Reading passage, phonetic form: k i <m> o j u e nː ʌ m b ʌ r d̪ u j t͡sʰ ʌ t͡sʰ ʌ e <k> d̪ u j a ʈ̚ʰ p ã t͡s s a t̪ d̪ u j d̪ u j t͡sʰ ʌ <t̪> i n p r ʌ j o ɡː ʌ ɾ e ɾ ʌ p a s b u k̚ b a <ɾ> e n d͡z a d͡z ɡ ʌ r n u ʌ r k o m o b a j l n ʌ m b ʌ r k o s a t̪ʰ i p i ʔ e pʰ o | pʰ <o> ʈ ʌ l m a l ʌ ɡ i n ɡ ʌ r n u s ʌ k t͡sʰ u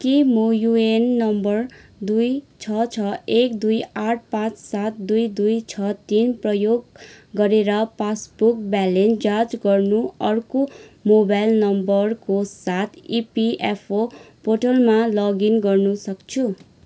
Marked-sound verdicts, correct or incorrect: correct, correct, correct, incorrect: l, correct

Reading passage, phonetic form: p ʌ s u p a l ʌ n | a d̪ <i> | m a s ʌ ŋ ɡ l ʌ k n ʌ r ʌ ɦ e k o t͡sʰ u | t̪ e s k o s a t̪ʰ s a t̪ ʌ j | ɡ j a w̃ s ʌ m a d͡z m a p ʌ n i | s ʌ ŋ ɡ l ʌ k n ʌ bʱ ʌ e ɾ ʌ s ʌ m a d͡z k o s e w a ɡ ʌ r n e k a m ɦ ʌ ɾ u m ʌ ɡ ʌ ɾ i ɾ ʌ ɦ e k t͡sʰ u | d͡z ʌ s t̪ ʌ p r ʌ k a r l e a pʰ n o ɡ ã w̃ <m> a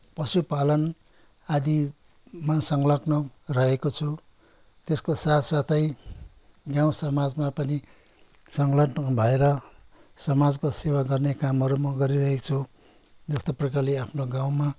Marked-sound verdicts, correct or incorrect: correct, correct

